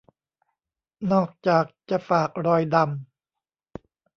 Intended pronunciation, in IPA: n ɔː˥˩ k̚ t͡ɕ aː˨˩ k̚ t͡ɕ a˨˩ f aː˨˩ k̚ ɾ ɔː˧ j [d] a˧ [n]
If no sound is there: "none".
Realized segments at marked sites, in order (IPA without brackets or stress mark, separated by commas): d, m